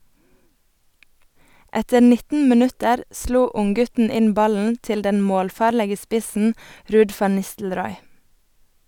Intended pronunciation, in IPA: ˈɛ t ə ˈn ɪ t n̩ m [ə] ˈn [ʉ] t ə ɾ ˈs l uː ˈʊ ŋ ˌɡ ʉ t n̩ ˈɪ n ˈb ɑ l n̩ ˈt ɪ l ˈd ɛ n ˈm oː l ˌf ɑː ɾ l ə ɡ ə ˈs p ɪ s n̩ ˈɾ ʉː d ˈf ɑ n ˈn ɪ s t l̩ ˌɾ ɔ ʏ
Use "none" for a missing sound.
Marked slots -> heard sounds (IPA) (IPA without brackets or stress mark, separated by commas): ə, ʉ